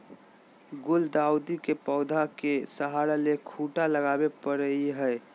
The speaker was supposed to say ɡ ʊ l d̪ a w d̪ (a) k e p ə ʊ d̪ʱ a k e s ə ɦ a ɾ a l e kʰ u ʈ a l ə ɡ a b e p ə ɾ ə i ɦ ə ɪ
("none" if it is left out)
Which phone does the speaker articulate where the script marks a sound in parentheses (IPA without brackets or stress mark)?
i